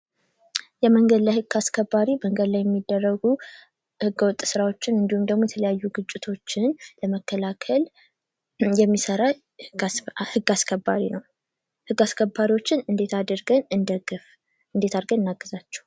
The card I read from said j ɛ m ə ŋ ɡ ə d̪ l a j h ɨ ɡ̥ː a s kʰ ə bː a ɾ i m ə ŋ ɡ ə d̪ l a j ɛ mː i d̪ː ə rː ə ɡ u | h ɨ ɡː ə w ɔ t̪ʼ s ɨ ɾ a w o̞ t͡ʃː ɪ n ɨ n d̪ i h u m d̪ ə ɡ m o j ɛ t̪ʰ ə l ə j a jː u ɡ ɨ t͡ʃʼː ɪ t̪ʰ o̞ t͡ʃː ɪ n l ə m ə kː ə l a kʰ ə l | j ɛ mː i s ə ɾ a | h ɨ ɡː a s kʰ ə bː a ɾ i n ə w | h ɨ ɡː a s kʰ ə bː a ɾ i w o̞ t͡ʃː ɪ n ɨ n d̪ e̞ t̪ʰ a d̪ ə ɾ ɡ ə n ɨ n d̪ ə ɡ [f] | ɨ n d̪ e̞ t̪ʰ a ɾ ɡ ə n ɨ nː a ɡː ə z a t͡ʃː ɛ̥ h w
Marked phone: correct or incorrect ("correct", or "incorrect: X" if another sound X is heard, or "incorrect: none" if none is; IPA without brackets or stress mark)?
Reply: correct